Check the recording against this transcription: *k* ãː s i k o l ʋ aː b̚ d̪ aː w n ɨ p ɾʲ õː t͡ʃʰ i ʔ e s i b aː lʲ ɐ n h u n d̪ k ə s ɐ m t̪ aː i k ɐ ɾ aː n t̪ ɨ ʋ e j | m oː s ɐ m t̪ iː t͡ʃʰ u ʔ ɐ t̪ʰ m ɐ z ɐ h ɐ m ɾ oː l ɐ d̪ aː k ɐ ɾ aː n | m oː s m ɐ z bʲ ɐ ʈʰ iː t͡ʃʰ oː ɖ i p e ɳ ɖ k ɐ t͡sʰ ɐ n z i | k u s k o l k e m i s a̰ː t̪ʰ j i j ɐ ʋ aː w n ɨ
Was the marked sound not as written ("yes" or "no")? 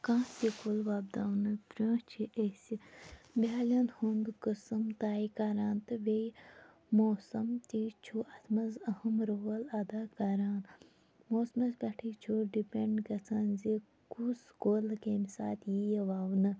no